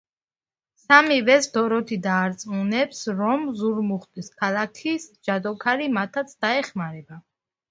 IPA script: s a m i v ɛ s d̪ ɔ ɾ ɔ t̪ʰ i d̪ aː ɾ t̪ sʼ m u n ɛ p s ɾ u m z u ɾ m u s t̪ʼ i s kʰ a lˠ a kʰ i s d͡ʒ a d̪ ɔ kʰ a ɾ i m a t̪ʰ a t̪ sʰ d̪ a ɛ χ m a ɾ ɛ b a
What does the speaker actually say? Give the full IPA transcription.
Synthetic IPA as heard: s a m i v ɛ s d̪ ɔ ɾ ɔ t̪ʰ i d̪ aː ɾ t̪ sʼ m u n ɛ p s ɾ ɔ m z u ɾ m u χ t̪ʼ i s kʰ a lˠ a kʰ i s d͡ʒ a d̪ ɔ kʰ a ɾ i m a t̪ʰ a t̪ sʰ d̪ a ɛ χ m a ɾ ɛ b a

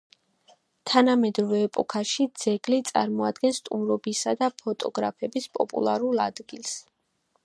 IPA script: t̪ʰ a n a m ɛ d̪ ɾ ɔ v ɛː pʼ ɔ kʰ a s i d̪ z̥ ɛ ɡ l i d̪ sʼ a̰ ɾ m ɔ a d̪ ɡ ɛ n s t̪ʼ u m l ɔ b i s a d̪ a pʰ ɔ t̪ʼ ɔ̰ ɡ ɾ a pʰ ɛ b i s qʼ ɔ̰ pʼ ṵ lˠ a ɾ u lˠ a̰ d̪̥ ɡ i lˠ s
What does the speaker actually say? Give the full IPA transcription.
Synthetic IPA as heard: t̪ʰ a n a m ɛ d̪ ɾ ɔ v ɛː pʼ ɔ kʰ a ʃ i d̪ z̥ ɛ ɡ l i t̪ sʼ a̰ ɾ m ɔ a d̪ ɡ ɛ n s t̪ʼ u m ɾ ɔ b i s a d̪ a pʰ ɔ t̪ʼ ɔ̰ ɡ ɾ a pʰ ɛ b i s pʼ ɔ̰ pʼ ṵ lˠ a ɾ u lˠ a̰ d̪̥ ɡ i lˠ s

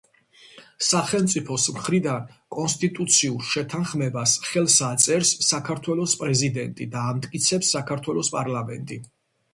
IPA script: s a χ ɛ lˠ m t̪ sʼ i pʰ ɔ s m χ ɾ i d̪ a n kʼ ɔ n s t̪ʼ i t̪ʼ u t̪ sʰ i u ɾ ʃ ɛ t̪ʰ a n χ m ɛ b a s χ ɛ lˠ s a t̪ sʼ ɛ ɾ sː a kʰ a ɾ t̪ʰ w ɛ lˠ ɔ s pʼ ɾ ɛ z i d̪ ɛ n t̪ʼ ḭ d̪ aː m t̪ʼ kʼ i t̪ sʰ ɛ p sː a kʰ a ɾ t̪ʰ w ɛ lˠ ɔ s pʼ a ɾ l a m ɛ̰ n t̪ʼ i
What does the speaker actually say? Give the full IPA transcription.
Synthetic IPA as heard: s a χ ɛ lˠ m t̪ sʼ i pʰ ɔ s m χ ɾ i d̪ a n kʼ ɔ n s t̪ʼ i t̪ʼ u t̪ sʰ i u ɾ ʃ ɛ t̪ʰ a n χ m ɛ b a s χ ɛ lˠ s a t̪ sʼ ɛ ɾ sː a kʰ a ɾ t̪ʰ w ɛ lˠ ɔ s pʼ ɾ ɛ z i d̪ ɛ n t̪ʼ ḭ d̪ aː m t̪ʼ kʼ i t̪ sʰ ɛ p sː a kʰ a ɾ t̪ʰ w ɛ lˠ ɔ s pʼ a ɾ l a m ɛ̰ n t̪ʼ i

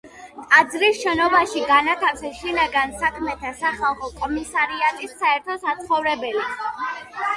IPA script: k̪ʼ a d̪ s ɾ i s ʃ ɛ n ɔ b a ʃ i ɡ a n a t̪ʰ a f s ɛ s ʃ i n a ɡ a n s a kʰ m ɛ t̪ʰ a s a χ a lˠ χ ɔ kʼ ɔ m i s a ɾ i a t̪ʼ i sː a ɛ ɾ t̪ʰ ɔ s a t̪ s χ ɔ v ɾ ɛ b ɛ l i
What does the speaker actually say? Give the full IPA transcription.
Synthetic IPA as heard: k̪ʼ a d̪ z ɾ i s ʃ ɛ n ɔ b a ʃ i ɡ a n a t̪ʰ a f s ɛ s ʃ i n a ɡ a n s a kʰ m ɛ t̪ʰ a s a χ a lˠ χ ɔ kʼ ɔ m i s a ɾ i a t̪ʼ i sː a ɛ ɾ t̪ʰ ɔ s a t̪ s χ ɔ v ɾ ɛ b ɛ l i

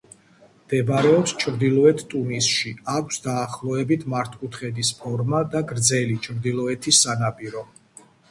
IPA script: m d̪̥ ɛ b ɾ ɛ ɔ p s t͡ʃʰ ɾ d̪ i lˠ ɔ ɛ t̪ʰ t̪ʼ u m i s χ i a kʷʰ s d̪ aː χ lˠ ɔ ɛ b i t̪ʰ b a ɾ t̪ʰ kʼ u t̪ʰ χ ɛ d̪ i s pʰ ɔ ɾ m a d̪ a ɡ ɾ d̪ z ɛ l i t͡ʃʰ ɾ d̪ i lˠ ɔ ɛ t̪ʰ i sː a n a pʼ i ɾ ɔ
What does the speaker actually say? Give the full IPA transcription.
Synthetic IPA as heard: m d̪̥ ɛ b ɾ ɛ ɔ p s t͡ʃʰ ɾ d̪ i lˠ ɔ ɛ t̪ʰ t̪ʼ u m i s ʃ i a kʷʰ s d̪ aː χ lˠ ɔ ɛ b i t̪ʰ m a ɾ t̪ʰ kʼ u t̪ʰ χ ɛ d̪ i s pʰ ɔ ɾ m a d̪ a ɡ ɾ d̪ z ɛ l i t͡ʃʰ ɾ d̪ i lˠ ɔ ɛ t̪ʰ i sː a n a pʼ i ɾ ɔ

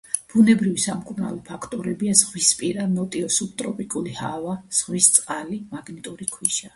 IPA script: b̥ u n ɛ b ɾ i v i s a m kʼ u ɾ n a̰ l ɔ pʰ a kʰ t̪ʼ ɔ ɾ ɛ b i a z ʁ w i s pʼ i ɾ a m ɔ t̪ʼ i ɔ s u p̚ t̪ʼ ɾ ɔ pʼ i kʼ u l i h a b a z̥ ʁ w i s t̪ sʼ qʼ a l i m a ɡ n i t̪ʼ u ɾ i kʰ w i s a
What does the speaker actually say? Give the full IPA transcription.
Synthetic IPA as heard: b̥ u n ɛ b ɾ i v i s a m kʼ u ɾ n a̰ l ɔ pʰ a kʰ t̪ʼ ɔ ɾ ɛ b i a z ʁ w i s pʼ i ɾ a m ɔ t̪ʼ i ɔ s u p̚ t̪ʼ ɾ ɔ pʼ i kʼ u l i h a v a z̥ ʁ w i s t̪ sʼ qʼ a l i m a ɡ n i t̪ʼ u ɾ i kʰ w i ʃ a

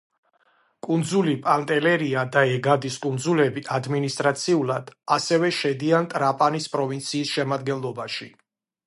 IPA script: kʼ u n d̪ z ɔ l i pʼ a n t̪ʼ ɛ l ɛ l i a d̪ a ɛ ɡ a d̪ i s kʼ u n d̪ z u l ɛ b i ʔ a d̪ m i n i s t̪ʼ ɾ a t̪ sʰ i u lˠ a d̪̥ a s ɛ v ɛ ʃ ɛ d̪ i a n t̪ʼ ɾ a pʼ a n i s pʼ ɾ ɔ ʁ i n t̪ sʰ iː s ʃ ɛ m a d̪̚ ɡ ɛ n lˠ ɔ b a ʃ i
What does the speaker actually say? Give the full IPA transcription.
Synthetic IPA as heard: kʼ u n d̪ z u l i pʼ a n t̪ʼ ɛ l ɛ ɾ i a d̪ a ɛ ɡ a d̪ i s kʼ u n d̪ z u l ɛ b i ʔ a d̪ m i n i s t̪ʼ ɾ a t̪ sʰ i u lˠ a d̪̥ a s ɛ v ɛ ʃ ɛ d̪ i a n t̪ʼ ɾ a pʼ a n i s pʼ ɾ ɔ v i n t̪ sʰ iː s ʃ ɛ m a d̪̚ ɡ ɛ n lˠ ɔ b a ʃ i

